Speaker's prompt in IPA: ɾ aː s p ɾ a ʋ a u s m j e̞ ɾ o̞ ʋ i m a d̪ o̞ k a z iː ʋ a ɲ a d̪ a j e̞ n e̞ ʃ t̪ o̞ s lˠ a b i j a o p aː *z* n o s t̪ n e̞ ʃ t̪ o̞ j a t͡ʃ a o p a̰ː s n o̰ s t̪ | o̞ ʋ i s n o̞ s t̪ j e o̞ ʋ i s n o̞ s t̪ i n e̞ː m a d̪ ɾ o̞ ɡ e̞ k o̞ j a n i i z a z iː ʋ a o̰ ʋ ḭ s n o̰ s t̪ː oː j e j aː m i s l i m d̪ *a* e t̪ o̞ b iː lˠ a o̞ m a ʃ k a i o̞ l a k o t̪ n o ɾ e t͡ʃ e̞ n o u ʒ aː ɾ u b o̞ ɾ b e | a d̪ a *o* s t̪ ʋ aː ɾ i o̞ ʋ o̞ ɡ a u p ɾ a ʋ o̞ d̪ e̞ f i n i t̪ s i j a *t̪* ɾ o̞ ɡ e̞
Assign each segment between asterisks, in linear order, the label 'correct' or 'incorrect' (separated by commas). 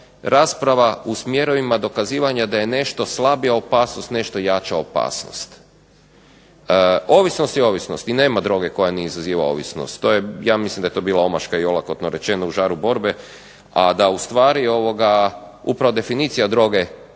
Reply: incorrect, correct, incorrect, incorrect